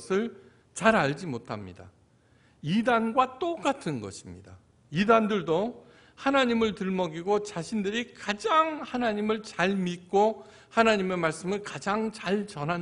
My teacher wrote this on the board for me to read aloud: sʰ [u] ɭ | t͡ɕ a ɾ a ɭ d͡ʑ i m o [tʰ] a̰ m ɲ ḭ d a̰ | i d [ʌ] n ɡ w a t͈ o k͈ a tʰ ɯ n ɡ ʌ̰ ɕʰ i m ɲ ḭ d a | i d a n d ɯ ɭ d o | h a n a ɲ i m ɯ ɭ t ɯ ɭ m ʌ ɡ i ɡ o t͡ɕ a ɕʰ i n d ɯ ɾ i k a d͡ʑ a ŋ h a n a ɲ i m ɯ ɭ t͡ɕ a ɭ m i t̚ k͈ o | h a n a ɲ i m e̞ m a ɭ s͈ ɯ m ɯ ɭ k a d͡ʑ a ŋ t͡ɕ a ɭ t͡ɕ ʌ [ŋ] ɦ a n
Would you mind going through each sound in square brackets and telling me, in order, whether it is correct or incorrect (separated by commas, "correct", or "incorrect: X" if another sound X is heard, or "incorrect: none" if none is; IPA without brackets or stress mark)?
incorrect: ɯ, correct, incorrect: a, incorrect: n